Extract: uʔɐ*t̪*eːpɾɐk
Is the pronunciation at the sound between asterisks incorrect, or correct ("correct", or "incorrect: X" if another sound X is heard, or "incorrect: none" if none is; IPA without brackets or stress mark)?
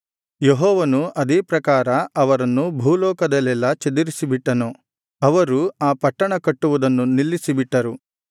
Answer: incorrect: d̪